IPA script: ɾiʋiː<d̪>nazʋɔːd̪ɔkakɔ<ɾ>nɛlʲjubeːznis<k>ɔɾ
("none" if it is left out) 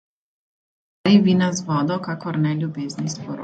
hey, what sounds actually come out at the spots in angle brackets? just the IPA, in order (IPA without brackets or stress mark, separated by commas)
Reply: none, ɾ, p